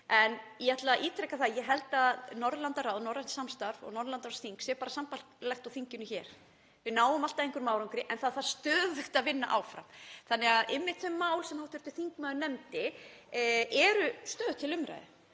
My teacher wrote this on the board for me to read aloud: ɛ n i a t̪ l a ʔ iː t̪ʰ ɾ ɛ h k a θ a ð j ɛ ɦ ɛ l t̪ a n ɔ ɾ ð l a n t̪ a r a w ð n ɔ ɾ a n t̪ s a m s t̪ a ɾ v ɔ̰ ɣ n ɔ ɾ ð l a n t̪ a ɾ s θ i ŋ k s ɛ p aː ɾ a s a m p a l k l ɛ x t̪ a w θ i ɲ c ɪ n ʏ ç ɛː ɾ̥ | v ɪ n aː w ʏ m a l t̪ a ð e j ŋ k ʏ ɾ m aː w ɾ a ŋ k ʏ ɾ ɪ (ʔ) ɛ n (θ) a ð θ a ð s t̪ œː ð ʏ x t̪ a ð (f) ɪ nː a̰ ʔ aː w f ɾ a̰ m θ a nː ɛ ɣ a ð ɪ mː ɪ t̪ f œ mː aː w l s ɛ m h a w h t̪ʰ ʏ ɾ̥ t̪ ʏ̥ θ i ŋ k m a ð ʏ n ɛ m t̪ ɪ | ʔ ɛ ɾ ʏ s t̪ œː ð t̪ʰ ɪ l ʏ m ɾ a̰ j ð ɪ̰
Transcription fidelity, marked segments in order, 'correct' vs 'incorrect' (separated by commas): correct, correct, incorrect